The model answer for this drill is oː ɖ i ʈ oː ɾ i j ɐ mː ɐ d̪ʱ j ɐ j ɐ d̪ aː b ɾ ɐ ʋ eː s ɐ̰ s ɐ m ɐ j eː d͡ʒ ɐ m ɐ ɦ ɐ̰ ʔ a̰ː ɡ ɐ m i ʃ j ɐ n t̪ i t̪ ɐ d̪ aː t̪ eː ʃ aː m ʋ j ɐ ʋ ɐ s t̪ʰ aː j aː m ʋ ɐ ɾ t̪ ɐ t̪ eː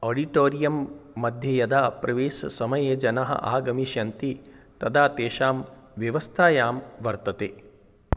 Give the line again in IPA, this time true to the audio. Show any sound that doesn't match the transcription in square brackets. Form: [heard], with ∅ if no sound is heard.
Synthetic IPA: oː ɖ i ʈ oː ɾ i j ɐ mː ɐ d̪ʱ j ɐ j ɐ d̪ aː [p] ɾ ɐ ʋ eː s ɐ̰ s ɐ m ɐ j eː d͡ʒ ɐ [n] ɐ ɦ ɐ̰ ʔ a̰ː ɡ ɐ m i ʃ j ɐ n t̪ i t̪ ɐ d̪ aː t̪ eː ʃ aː m ʋ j ɐ ʋ ɐ s t̪ʰ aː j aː m ʋ ɐ ɾ t̪ ɐ t̪ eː